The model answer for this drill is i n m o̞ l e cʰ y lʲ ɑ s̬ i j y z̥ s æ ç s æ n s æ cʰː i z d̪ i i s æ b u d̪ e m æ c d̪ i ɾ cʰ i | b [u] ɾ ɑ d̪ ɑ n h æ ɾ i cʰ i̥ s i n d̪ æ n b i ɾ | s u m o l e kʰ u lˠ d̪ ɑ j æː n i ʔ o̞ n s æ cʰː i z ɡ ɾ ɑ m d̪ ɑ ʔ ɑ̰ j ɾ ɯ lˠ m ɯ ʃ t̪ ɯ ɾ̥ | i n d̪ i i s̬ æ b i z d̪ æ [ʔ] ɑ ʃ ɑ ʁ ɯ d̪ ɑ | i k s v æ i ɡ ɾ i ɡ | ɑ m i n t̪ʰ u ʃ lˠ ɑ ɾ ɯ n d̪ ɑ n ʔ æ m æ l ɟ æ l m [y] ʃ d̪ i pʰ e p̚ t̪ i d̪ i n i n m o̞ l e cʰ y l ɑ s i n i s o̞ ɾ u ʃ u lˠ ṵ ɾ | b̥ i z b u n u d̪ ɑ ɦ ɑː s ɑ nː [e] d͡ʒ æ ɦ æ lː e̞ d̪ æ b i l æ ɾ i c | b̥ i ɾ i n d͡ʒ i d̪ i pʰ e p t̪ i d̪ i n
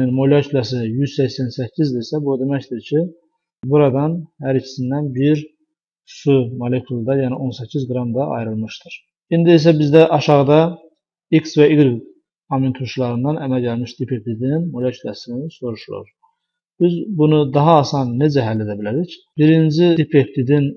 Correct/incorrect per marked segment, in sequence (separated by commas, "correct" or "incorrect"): correct, correct, incorrect, correct